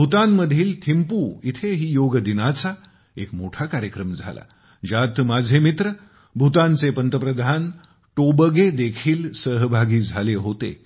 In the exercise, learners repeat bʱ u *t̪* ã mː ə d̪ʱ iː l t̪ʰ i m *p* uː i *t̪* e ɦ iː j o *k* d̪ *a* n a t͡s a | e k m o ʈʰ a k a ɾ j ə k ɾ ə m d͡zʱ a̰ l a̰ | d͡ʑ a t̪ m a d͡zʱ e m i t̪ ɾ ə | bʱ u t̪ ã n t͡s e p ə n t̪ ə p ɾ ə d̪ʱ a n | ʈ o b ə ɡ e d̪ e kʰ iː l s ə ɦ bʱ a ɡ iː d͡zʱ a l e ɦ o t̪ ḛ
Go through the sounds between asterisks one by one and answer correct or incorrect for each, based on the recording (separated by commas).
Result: correct, correct, incorrect, incorrect, incorrect